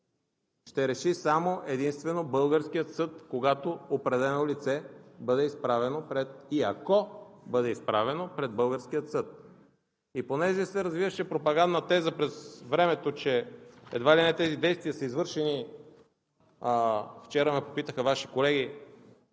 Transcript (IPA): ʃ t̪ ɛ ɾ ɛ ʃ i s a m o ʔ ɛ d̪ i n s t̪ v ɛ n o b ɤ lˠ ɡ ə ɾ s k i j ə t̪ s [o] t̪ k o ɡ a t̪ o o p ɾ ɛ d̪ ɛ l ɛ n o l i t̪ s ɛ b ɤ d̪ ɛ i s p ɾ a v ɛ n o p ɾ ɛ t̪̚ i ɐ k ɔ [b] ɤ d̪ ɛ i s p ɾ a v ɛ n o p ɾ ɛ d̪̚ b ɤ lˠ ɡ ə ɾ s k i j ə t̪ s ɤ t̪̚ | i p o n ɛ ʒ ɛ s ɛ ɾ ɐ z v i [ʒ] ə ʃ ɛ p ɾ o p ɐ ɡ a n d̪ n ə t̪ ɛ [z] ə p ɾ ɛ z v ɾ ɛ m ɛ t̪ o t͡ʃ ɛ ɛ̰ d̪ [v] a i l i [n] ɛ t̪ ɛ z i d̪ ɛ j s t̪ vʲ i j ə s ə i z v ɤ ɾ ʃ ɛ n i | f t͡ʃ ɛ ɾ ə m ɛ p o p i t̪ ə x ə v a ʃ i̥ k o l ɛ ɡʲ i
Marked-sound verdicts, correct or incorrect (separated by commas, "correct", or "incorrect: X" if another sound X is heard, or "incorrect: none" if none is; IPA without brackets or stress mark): incorrect: ɤ, correct, incorrect: v, correct, correct, correct